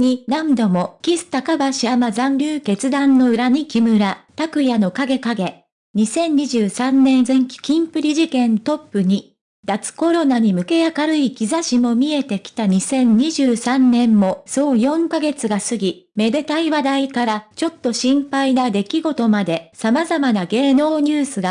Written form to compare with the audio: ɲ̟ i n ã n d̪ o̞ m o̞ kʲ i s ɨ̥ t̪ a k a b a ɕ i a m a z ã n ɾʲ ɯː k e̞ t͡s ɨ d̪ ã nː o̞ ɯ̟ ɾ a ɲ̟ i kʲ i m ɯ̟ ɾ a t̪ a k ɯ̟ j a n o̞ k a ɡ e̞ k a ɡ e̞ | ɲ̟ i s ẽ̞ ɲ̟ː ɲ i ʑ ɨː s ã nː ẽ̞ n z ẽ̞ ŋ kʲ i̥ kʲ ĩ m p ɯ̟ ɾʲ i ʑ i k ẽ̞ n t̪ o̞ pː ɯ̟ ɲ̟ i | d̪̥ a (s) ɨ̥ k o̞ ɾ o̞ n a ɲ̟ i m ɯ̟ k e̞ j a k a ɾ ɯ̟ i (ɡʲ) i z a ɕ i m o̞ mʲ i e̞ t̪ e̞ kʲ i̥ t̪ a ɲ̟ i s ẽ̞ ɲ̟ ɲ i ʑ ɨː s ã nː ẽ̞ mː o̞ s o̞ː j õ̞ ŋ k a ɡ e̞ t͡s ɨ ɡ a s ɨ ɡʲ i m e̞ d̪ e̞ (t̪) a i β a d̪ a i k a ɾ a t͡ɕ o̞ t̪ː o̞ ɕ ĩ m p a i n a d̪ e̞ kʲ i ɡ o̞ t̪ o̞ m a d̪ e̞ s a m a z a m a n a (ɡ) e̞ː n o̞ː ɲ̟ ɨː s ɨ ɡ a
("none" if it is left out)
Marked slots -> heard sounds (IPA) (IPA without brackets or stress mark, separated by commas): t͡s, kʲ, t̪, ɡ